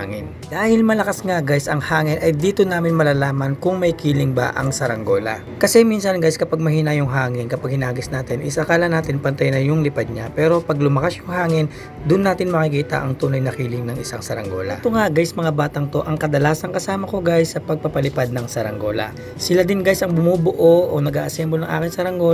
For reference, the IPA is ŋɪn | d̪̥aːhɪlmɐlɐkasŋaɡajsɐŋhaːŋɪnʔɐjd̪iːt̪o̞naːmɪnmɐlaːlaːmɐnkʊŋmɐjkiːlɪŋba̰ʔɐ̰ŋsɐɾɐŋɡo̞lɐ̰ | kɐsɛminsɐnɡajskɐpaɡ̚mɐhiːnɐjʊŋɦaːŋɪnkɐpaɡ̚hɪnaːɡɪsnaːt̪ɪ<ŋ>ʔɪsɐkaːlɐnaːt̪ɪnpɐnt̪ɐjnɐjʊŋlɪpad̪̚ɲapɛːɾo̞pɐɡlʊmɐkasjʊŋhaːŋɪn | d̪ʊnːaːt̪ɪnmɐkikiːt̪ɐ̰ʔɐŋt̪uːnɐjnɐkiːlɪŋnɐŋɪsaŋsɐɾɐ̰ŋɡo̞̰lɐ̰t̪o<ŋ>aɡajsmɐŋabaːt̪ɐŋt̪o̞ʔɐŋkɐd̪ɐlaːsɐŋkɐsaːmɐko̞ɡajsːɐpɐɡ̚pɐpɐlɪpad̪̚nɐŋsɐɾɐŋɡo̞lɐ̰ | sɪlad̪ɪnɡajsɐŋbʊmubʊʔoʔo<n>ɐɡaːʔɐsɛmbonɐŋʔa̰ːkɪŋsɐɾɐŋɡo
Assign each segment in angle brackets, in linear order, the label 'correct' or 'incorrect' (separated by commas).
incorrect, correct, correct